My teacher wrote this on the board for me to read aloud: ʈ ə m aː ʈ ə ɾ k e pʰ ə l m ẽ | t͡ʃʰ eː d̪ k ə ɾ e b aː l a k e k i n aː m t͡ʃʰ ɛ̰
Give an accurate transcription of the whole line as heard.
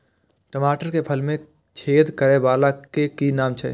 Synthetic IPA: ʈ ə m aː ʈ ə ɾ k e pʰ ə l m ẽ | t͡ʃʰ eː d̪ k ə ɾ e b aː l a k e k i n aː m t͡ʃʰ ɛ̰